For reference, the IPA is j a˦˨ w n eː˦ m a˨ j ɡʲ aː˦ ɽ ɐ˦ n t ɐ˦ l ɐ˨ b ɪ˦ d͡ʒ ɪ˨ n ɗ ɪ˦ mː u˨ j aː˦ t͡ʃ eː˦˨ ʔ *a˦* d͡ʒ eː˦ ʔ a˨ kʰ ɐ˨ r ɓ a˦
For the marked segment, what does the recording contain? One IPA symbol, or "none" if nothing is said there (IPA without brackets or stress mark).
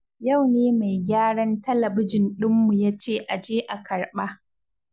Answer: a˨